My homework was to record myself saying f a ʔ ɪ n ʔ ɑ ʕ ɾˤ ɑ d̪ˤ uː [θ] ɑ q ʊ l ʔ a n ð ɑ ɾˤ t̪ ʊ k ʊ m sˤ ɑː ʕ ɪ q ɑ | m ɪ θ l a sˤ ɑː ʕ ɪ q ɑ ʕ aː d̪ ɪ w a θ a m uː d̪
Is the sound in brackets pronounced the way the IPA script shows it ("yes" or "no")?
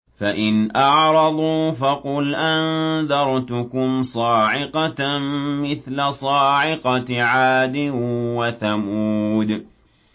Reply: no